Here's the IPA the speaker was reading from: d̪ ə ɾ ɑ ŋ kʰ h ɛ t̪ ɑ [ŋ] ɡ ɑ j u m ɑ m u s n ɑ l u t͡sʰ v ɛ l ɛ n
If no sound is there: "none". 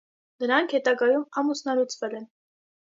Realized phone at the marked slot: none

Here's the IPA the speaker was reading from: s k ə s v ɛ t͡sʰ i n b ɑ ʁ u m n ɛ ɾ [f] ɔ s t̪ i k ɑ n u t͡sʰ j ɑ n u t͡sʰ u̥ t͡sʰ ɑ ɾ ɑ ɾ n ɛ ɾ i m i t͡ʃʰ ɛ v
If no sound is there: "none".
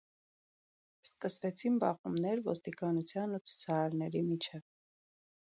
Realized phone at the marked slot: v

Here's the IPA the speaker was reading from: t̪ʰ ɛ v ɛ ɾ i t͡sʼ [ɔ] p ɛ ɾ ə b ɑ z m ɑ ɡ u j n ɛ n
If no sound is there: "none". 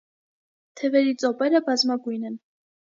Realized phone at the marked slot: ɔ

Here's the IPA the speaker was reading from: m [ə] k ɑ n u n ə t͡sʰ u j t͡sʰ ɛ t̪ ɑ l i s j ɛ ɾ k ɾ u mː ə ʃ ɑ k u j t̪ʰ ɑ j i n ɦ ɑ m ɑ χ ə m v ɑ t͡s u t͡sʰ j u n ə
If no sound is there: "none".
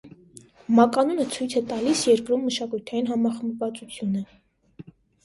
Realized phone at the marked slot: ɑ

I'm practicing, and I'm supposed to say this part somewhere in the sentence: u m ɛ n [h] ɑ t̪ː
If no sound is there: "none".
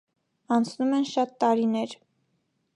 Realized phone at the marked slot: ʃ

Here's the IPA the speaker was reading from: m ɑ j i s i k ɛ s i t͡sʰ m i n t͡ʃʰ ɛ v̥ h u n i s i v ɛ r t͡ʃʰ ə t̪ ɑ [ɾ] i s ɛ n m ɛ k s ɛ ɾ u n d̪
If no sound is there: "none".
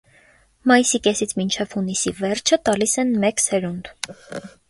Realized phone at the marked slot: l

